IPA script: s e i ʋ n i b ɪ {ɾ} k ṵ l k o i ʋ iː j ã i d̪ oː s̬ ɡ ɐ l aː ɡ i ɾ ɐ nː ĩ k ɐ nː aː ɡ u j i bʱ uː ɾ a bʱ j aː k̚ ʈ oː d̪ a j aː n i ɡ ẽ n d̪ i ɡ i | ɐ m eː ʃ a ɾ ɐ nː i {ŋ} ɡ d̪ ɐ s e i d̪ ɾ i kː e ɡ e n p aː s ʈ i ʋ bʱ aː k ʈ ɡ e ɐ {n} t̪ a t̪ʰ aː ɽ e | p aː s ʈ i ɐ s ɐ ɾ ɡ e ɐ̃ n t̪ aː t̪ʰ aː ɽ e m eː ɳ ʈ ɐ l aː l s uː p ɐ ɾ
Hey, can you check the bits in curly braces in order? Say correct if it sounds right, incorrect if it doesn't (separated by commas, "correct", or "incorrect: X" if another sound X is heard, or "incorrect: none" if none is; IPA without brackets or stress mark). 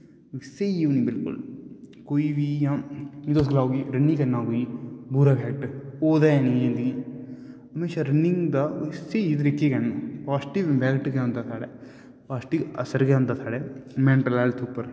incorrect: l, correct, correct